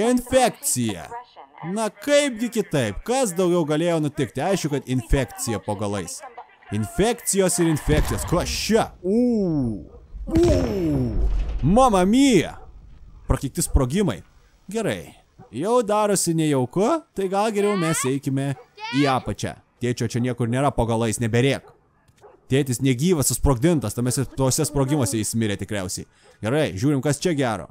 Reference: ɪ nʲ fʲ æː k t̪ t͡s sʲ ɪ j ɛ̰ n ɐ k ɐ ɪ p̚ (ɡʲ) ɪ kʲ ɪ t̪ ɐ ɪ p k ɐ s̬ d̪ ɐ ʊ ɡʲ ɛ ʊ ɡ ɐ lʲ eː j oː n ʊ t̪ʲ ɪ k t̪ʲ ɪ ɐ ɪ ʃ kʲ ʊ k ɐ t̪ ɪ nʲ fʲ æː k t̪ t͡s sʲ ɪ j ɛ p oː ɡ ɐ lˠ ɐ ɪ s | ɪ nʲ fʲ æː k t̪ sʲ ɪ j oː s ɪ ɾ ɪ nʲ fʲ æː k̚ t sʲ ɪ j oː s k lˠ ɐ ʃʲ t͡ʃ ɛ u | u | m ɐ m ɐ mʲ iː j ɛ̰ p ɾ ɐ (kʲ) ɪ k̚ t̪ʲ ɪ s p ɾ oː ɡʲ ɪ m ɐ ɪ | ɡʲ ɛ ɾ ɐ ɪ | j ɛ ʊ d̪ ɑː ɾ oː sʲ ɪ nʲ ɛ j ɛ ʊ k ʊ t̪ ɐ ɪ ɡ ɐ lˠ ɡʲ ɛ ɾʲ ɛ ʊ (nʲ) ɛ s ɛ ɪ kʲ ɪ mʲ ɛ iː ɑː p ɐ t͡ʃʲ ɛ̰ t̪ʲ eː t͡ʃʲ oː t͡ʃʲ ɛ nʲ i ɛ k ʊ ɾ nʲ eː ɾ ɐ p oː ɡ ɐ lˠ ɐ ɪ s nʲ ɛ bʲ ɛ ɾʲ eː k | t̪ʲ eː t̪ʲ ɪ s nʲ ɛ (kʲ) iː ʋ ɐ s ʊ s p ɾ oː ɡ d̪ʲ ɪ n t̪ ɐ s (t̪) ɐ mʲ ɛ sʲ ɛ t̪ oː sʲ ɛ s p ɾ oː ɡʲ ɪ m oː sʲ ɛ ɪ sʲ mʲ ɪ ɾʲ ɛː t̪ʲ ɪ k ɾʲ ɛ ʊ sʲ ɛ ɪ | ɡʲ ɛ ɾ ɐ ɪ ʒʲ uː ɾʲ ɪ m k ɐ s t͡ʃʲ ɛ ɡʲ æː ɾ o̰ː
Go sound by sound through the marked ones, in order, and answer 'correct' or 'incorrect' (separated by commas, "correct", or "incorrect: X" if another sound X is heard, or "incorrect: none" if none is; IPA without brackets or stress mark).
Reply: correct, correct, incorrect: mʲ, incorrect: ɡʲ, correct